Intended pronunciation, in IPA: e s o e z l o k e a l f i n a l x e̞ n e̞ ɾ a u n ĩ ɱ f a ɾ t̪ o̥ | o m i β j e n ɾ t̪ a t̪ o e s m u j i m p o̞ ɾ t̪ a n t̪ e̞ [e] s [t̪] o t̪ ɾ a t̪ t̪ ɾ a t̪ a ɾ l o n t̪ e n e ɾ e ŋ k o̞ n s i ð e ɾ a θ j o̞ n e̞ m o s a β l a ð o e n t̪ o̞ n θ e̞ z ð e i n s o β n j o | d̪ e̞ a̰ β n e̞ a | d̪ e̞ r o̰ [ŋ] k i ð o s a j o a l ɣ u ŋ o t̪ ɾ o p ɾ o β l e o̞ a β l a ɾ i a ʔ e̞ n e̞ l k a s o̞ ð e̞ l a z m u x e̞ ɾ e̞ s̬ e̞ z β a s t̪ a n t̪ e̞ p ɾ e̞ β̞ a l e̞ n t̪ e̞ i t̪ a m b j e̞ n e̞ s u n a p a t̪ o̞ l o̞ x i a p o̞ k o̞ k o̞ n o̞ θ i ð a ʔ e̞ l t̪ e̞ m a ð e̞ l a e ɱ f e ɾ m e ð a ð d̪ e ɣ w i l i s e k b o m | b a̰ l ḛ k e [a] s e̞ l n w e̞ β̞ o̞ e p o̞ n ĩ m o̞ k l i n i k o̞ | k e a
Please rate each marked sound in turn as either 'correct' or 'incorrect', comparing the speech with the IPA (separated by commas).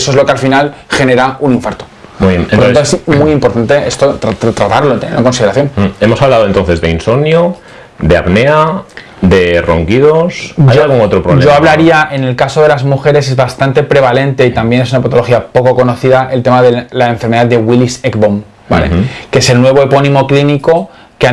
correct, correct, correct, incorrect